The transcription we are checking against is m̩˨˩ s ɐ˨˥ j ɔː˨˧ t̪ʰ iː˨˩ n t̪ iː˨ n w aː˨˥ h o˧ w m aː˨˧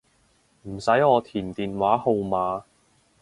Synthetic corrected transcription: m̩˨˩ s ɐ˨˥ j ɔː˨˧ t̪ʰ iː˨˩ n t̪ iː˨ n w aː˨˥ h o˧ w m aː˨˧